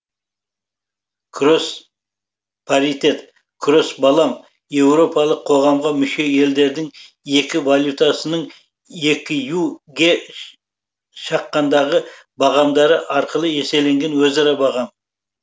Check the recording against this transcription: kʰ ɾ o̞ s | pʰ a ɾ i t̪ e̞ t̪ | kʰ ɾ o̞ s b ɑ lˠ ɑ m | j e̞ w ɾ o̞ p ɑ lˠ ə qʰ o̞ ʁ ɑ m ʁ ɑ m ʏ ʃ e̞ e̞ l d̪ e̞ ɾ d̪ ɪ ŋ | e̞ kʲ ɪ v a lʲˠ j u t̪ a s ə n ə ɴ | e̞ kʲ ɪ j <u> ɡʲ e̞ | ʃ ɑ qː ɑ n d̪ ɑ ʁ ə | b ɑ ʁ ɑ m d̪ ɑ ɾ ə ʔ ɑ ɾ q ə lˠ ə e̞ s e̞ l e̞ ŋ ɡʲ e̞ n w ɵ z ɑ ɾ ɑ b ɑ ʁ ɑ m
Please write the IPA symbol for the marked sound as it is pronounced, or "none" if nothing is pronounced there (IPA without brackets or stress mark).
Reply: u